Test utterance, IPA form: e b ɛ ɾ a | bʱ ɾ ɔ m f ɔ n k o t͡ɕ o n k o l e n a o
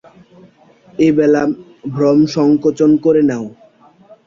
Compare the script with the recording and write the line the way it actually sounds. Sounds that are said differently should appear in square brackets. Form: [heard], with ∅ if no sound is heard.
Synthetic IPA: e b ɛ [l] a | bʱ ɾ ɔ m [ʃ] ɔ [ŋ] k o t͡ɕ o n k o [ɾ] e n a o